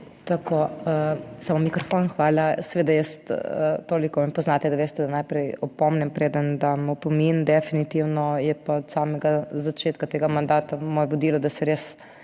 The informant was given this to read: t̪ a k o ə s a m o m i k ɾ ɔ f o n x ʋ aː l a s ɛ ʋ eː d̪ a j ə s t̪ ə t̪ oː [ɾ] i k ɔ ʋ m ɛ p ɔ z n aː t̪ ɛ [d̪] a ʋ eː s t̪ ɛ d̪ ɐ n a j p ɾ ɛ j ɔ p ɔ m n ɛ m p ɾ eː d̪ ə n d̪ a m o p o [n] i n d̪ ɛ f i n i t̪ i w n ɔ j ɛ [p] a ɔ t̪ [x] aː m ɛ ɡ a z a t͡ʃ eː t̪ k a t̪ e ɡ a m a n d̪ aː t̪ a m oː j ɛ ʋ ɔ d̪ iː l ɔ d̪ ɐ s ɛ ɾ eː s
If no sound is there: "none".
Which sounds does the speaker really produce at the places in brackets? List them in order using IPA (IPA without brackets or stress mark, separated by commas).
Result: l, d̪, m, p, s